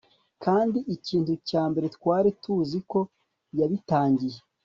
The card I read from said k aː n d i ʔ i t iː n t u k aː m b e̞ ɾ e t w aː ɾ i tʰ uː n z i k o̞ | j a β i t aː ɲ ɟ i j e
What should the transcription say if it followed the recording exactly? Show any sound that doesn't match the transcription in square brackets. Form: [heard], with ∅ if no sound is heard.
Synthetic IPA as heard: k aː n d i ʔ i [c] iː n t u [c] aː m b e̞ ɾ e t w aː ɾ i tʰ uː [∅] z i k o̞ | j a β i t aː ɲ ɟ i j e